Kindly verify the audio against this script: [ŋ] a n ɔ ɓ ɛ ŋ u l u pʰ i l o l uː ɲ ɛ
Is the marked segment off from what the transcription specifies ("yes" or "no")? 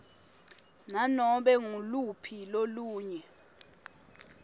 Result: yes